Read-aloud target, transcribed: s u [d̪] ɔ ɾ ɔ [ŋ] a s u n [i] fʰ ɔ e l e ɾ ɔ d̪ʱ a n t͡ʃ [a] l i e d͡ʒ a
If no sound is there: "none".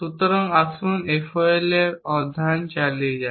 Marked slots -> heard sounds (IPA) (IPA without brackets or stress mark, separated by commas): t̪, ŋ, e, a